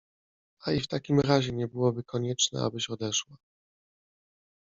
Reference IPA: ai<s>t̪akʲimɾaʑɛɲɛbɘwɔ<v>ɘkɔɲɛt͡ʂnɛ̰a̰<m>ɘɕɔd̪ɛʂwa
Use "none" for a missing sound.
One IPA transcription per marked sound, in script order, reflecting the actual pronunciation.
f, b, b

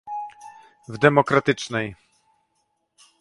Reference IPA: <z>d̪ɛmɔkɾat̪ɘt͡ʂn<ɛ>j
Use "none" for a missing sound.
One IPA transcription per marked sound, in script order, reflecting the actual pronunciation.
v, ɛ

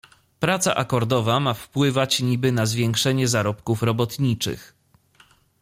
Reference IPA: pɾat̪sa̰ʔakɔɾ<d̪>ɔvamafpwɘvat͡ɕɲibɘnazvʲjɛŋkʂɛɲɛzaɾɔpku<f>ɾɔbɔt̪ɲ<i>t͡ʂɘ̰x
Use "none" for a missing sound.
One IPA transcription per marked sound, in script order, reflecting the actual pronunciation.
d̪, f, i

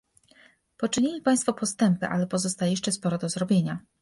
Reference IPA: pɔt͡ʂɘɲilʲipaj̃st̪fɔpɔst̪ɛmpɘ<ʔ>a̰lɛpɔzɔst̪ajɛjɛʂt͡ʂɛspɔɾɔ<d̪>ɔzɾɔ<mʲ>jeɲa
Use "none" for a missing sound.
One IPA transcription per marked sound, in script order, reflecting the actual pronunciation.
ʔ, d̪, bʲ

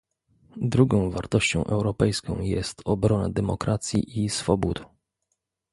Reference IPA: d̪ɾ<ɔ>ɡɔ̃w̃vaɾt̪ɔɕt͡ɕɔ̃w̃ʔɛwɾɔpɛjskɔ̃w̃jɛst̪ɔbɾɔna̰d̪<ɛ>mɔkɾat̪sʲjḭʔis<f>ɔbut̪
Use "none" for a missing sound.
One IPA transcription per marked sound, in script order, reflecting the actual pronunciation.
u, ɛ, f

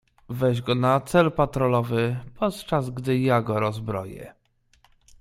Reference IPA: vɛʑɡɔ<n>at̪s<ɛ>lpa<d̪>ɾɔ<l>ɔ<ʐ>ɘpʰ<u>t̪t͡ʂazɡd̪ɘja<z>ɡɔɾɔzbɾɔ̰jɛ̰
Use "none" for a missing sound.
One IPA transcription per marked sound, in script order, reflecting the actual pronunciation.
n, ɛ, t̪, l, v, ɔ, none

